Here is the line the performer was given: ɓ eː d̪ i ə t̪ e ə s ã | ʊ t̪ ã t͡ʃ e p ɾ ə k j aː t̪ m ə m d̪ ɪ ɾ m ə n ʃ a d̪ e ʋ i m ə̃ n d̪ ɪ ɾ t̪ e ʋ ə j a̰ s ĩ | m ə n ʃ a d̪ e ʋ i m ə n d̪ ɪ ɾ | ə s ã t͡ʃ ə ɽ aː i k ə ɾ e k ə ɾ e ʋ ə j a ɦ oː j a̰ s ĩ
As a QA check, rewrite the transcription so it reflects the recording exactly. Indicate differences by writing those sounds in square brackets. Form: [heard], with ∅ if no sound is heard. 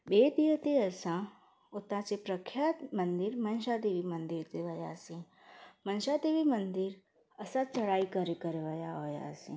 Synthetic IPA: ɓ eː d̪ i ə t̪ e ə s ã | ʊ t̪ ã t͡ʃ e p ɾ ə [kʰ] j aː t̪ m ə [n] d̪ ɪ ɾ m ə n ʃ a d̪ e ʋ i m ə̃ n d̪ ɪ ɾ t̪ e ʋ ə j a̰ s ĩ | m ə n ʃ a d̪ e ʋ i m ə n d̪ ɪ ɾ | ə s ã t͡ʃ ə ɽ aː i k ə ɾ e k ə ɾ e ʋ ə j a ɦ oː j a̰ s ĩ